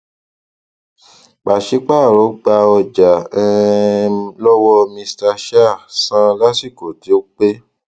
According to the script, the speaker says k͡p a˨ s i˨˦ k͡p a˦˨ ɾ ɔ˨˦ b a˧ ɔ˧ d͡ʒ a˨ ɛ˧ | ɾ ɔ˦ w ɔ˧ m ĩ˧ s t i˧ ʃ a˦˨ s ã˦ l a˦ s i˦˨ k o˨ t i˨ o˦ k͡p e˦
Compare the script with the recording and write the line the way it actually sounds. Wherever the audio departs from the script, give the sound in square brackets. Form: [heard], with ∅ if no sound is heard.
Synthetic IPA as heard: k͡p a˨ [ʃ] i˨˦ k͡p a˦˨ ɾ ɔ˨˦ [ɡ͡b] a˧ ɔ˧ d͡ʒ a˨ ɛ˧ | [l] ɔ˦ w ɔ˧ m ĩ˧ s t [a˧] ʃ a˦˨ s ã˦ l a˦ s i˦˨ k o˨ t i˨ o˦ k͡p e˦